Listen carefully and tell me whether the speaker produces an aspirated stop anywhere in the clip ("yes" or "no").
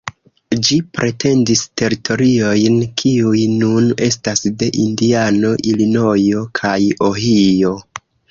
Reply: yes